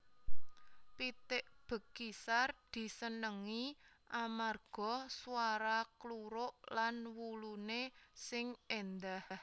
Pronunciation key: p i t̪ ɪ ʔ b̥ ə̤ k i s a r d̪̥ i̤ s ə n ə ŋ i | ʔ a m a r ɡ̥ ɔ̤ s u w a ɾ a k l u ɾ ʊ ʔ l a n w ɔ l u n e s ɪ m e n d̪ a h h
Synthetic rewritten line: p i t̪ ɪ ʔ b̥ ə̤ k i s a r d̪̥ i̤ s ə n ə ŋ i | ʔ a m a r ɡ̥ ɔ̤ s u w a ɾ a k l u ɾ ʊ ʔ l a n w u l u n e s ɪ ŋ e n d̪ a h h